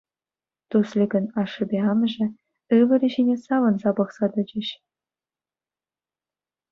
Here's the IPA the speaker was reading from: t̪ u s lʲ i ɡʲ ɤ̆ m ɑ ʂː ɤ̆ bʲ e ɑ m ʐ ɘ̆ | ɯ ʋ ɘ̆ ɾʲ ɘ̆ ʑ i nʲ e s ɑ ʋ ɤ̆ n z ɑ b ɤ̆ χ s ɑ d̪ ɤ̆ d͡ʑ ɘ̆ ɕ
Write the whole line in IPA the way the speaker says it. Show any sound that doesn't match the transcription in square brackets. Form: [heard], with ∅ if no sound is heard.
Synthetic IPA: t̪ u s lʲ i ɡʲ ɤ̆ [n] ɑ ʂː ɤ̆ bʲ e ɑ m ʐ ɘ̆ | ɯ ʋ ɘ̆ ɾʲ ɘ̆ ʑ i nʲ e s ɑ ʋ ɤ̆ n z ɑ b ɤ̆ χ s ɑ d̪ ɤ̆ d͡ʑ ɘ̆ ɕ